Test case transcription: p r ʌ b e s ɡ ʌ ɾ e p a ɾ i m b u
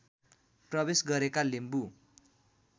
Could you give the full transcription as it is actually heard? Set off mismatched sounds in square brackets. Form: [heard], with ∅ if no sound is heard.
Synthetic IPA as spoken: p r ʌ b e s ɡ ʌ ɾ e [k] a [l] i m b u